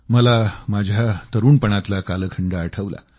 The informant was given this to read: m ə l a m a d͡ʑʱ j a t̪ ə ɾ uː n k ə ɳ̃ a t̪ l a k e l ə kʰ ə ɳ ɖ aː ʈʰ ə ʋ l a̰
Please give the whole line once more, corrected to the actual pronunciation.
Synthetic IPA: m ə l a m a d͡ʑʱ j a t̪ ə ɾ uː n p ə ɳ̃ a t̪ l a k a l ə kʰ ə ɳ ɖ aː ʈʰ ə ʋ l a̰